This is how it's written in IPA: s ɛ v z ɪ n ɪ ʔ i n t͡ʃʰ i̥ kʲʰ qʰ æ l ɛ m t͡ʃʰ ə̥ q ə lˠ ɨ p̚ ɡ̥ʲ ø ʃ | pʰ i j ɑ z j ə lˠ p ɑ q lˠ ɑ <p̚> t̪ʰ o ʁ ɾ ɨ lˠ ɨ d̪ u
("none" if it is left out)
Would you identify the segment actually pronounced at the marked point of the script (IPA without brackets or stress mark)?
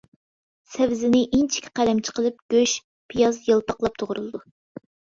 p̚